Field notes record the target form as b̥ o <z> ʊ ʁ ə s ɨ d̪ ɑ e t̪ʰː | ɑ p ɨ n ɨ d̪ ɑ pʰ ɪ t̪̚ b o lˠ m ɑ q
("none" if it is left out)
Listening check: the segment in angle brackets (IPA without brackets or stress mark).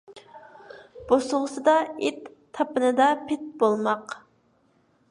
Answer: s